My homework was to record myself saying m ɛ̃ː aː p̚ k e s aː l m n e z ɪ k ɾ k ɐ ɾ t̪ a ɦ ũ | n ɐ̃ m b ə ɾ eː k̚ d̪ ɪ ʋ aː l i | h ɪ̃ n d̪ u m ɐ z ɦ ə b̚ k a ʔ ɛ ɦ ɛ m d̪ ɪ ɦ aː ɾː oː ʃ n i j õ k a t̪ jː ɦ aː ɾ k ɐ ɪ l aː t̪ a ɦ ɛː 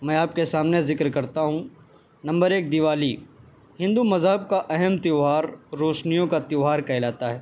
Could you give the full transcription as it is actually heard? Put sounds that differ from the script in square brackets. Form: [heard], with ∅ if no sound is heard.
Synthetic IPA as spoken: m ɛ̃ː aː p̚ k e s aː [∅] m n e z ɪ k ɾ k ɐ ɾ t̪ a ɦ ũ | n ɐ̃ m b ə ɾ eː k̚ d̪ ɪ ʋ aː l i | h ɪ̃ n d̪ u m ɐ z ɦ ə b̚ k a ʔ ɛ ɦ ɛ m [t̪] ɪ ɦ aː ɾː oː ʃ n i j õ k a t̪ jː ɦ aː ɾ k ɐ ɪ l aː t̪ a ɦ ɛː